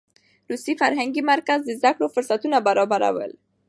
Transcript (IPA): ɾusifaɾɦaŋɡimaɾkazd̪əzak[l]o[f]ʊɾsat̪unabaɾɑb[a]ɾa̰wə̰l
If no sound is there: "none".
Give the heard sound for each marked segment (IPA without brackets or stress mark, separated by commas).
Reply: ɽ, f, a